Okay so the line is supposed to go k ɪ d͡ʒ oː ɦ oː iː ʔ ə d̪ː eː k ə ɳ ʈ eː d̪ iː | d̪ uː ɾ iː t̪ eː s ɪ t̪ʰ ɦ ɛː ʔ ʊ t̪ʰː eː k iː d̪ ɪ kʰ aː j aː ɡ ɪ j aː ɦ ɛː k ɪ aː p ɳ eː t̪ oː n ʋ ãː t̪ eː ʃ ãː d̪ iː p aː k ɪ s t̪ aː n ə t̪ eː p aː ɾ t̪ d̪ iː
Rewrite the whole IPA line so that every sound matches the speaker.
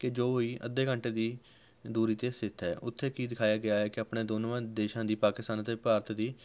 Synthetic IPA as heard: k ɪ d͡ʒ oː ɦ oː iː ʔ ə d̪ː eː k ə ɳ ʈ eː d̪ iː | d̪ uː ɾ iː t̪ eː s ɪ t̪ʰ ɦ ɛː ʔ ʊ t̪ʰː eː k iː d̪ ɪ kʰ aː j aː ɡ ɪ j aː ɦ ɛː k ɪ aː p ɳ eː d̪ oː n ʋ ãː d̪ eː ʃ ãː d̪ iː p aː k ɪ s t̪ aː n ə t̪ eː p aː ɾ t̪ d̪ iː